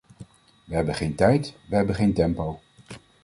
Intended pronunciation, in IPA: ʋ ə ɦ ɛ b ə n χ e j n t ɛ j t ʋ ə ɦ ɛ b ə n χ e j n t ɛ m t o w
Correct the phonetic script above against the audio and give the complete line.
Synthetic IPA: ʋ ə ɦ ɛ b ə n χ e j n t ɛ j t ʋ ə ɦ ɛ b ə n χ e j n t ɛ m p o w